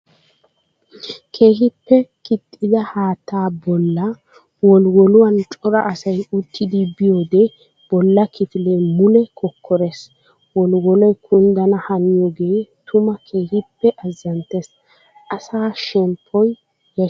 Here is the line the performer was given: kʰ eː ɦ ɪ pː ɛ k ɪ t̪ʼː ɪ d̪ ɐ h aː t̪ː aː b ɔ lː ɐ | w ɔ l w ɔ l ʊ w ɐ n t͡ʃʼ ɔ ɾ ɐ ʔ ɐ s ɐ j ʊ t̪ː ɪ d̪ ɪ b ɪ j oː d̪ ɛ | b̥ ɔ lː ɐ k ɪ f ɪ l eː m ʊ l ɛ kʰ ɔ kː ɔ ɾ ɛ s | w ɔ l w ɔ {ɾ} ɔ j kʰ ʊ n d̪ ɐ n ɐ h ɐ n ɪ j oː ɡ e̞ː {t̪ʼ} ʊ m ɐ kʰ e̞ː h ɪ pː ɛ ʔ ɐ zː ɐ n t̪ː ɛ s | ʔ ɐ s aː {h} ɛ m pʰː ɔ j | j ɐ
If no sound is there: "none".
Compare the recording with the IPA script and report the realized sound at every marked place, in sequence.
l, t̪, ʃ

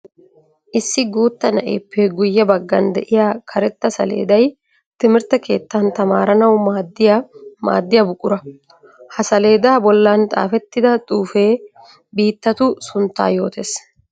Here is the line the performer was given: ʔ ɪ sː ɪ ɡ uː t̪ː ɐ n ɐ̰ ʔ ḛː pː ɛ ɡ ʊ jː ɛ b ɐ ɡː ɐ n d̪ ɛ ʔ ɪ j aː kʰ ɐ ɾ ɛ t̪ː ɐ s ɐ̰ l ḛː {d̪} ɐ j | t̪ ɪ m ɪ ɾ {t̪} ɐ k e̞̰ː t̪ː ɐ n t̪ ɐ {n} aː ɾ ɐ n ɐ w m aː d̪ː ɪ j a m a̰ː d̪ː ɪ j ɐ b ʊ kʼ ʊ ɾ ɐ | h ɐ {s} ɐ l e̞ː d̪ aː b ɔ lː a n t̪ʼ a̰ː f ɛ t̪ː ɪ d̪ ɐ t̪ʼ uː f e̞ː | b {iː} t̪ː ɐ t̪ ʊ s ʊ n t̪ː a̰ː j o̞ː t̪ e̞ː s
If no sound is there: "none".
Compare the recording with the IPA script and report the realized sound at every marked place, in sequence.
d̪, t̪, m, s, iː

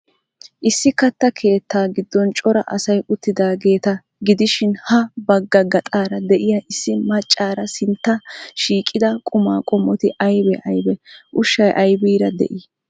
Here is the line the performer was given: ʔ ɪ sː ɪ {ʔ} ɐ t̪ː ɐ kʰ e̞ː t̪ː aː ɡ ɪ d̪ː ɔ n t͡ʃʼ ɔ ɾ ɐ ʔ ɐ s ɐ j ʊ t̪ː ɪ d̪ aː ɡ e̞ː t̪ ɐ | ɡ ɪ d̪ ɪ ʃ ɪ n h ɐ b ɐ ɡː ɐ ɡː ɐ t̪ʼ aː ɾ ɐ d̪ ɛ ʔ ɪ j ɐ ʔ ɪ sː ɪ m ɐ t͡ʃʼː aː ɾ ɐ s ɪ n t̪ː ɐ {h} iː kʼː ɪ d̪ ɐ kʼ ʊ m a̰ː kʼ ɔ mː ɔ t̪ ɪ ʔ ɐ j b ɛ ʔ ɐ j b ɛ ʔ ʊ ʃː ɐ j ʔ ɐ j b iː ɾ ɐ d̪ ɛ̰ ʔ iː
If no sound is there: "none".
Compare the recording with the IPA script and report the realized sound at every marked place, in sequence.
k, ʃ

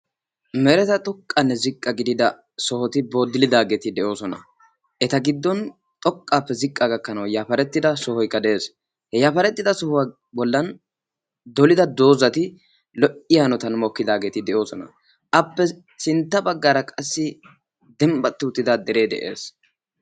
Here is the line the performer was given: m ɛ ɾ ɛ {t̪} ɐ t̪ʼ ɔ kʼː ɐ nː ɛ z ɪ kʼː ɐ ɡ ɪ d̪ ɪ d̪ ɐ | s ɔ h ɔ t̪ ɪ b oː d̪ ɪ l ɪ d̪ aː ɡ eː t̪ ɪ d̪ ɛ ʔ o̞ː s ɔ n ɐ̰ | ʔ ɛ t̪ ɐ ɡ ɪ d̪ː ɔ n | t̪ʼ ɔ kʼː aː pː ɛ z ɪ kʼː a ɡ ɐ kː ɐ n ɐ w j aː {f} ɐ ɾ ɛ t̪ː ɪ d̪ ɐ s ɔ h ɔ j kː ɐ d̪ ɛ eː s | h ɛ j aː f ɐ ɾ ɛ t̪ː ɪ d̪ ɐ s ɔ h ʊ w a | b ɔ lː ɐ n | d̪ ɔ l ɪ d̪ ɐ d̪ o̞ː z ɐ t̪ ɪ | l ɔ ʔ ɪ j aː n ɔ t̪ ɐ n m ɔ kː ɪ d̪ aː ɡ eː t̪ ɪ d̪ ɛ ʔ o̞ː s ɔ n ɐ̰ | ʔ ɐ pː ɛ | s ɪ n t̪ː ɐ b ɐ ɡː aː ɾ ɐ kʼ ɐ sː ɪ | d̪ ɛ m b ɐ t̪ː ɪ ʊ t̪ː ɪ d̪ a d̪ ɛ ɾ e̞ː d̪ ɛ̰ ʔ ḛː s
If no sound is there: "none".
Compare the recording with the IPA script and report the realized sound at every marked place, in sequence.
t̪, f

